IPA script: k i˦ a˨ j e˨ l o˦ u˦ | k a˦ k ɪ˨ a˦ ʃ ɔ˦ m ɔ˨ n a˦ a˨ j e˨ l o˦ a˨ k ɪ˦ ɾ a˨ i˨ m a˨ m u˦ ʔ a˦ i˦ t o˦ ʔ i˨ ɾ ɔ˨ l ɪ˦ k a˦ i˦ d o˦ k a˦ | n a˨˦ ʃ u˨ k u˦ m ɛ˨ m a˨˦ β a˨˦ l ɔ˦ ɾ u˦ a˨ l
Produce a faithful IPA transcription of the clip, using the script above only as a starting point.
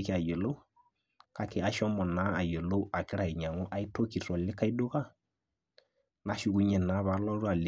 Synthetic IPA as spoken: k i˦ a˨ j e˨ l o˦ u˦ | k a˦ k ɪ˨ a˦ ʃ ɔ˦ m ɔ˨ n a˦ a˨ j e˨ l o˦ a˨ k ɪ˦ ɾ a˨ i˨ ɲ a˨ ŋ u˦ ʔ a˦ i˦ t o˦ k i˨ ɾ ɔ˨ l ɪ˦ k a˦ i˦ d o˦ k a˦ | n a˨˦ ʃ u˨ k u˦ ɲ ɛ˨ n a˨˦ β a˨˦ l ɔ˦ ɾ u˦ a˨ l